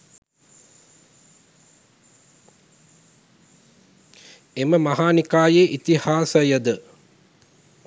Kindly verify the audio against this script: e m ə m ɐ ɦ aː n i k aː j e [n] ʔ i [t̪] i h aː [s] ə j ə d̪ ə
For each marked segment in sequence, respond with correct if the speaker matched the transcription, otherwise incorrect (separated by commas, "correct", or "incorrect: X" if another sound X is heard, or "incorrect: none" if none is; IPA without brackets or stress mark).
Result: incorrect: none, correct, correct